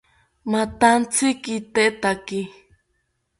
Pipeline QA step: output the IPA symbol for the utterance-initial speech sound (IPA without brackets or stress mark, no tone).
m